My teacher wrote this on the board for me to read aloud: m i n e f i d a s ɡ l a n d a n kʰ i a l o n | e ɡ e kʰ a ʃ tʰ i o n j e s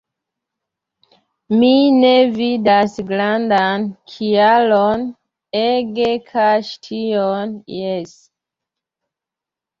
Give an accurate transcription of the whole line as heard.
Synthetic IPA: m i n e v i d a s ɡ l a n d a n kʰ i a l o n | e ɡ e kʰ a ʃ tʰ i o n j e s